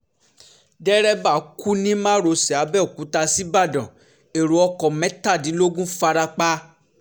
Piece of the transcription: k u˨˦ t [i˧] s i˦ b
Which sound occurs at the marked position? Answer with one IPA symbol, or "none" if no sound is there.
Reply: a˧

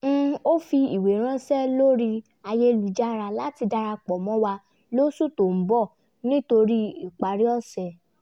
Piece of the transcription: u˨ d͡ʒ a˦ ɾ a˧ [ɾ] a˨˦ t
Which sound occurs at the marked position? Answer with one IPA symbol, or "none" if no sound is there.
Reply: l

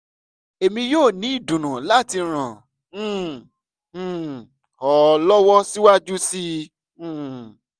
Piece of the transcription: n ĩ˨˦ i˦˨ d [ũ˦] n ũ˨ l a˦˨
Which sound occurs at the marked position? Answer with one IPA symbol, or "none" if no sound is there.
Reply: ũ˨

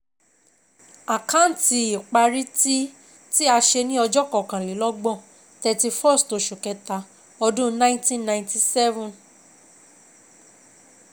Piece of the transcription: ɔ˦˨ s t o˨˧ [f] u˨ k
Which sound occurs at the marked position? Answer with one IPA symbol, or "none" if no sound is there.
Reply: ʃ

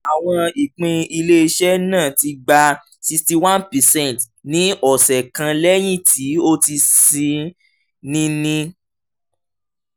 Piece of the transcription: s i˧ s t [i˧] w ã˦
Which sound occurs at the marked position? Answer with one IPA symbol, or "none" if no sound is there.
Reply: i˧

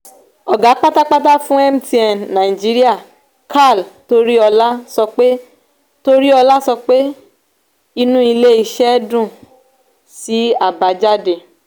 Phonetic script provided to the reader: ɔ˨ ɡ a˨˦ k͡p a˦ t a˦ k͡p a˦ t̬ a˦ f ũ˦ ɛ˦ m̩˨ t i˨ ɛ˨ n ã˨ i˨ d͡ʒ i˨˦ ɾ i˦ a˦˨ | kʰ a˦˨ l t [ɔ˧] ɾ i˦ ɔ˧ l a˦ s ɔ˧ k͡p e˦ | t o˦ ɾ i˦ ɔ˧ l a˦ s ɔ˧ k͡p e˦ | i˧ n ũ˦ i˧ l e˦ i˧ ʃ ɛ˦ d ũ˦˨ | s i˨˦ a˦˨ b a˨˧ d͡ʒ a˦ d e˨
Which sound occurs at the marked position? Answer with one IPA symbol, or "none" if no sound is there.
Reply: o˧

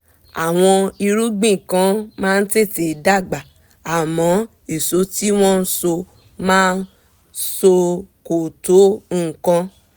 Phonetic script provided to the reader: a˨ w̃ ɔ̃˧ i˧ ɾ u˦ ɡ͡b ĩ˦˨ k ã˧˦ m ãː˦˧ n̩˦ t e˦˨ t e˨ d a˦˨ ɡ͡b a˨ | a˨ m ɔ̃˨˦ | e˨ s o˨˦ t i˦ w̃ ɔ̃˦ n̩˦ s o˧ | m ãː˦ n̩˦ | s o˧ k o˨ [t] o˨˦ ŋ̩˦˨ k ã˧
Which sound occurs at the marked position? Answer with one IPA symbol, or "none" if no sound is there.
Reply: t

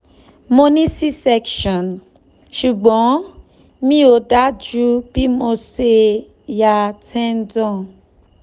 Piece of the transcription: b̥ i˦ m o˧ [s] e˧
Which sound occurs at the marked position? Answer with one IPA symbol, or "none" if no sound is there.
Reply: s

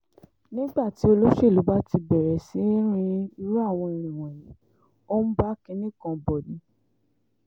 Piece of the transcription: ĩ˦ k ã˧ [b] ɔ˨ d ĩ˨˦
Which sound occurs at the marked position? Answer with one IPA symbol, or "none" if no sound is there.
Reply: b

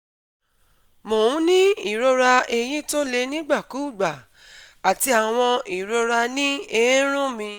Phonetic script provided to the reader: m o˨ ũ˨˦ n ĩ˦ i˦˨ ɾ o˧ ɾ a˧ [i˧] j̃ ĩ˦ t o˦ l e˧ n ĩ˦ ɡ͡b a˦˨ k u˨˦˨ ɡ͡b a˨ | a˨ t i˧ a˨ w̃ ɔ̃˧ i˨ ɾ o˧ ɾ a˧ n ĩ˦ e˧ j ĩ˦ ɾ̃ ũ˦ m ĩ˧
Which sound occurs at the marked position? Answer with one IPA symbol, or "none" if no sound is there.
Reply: e˧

